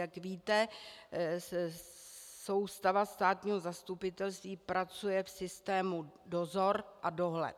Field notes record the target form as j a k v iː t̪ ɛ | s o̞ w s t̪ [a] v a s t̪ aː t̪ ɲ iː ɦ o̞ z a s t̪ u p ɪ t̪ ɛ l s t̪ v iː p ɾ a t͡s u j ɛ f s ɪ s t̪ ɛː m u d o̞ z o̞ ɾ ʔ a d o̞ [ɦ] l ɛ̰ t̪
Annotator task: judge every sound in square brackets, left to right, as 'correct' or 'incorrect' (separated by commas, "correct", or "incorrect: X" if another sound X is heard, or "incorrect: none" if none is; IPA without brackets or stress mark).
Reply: correct, correct